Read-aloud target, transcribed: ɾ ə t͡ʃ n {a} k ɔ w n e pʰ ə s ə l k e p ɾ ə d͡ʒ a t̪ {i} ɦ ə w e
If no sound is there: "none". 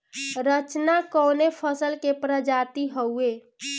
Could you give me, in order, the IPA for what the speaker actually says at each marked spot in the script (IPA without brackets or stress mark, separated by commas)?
a, i